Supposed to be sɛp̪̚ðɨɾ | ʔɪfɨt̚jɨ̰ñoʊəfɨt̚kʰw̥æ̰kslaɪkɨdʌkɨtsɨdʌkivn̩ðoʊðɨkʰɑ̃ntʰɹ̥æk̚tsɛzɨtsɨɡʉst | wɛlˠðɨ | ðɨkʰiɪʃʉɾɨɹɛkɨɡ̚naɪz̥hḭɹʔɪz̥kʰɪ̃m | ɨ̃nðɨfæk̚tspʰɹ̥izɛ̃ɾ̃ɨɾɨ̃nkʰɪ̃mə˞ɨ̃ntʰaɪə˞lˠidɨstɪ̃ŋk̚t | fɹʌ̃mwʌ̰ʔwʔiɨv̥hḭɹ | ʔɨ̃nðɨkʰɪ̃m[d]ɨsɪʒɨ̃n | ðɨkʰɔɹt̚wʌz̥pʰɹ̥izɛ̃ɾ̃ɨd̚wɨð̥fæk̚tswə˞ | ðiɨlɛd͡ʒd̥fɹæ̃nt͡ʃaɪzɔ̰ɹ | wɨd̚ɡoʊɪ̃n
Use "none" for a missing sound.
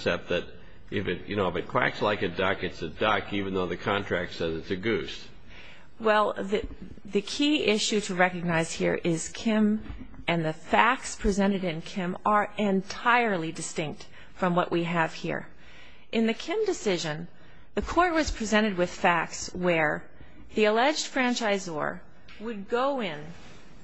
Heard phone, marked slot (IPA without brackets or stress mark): d